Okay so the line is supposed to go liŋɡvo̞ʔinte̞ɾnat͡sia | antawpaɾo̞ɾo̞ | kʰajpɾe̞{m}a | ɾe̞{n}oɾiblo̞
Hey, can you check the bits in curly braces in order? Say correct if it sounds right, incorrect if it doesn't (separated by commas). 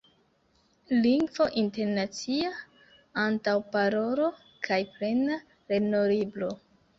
incorrect, correct